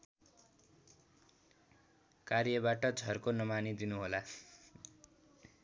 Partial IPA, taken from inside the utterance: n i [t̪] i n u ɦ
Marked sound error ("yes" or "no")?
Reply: yes